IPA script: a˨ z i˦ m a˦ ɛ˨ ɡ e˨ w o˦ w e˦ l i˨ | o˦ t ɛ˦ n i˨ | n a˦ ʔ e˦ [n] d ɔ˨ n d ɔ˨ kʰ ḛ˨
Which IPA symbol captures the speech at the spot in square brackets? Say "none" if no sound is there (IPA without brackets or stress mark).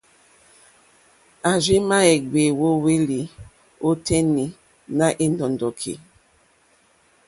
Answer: n